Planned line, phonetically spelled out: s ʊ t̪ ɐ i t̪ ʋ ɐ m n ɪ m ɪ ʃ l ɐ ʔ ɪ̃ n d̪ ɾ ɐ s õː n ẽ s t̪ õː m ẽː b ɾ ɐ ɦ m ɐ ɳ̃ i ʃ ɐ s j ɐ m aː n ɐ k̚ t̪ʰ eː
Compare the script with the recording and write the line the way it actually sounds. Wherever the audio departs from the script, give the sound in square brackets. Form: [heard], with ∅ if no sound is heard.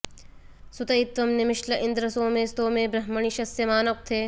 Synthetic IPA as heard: s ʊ t̪ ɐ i t̪ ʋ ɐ m n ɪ m ɪ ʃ l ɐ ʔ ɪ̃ n d̪ ɾ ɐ s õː [m] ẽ s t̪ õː m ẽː b ɾ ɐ ɦ m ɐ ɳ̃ i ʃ ɐ s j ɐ m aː n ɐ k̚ t̪ʰ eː